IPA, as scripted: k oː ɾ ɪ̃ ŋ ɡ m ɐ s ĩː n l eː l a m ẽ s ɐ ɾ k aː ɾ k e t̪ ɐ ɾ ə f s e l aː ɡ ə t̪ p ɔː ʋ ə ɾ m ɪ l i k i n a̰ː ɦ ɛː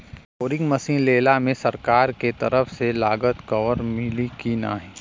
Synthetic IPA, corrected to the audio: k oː ɾ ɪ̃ ŋ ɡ m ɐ s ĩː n l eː l a m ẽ s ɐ ɾ k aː ɾ k e t̪ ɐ ɾ ə f s e l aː ɡ ə t̪ k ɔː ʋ ə ɾ m ɪ l i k i n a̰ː ɦ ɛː